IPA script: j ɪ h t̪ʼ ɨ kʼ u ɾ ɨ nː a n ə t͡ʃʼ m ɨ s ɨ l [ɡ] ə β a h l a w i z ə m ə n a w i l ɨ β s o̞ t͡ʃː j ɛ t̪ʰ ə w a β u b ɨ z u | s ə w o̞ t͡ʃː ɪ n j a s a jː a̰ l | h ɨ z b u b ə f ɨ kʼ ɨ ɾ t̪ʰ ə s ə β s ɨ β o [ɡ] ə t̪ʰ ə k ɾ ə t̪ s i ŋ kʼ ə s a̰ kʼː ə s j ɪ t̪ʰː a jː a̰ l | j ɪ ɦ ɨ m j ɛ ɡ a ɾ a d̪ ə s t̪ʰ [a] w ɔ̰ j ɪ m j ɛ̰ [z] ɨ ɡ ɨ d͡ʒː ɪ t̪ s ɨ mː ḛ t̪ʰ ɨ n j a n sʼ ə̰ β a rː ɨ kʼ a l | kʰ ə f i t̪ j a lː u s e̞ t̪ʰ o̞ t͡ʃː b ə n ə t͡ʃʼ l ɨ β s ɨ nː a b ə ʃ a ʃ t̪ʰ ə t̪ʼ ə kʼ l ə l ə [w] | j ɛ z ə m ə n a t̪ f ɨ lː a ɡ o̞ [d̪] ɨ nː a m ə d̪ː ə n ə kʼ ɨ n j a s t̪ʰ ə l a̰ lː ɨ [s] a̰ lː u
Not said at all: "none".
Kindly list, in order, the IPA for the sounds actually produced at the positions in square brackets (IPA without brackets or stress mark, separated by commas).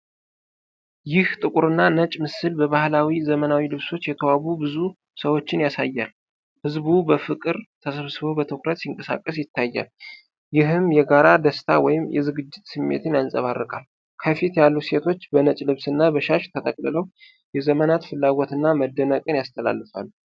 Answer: b, b, a, z, w, t̪, f